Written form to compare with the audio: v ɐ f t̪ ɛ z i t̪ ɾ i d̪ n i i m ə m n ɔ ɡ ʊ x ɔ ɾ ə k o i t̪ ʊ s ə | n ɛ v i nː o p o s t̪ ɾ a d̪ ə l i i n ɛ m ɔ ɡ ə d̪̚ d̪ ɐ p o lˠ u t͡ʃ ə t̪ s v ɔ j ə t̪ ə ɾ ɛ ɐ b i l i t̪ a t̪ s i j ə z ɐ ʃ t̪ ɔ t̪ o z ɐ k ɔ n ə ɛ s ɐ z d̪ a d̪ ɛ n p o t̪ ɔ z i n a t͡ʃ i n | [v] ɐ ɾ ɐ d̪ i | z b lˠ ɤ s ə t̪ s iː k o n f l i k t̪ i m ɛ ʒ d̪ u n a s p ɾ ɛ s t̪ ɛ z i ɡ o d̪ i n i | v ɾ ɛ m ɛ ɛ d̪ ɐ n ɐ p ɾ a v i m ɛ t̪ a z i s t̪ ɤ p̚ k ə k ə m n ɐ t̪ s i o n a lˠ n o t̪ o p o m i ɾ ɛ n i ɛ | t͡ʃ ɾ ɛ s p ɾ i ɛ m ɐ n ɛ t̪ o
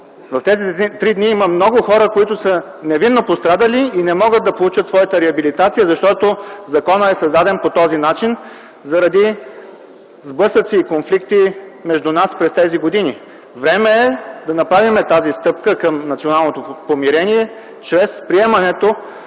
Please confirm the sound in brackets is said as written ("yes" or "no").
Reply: no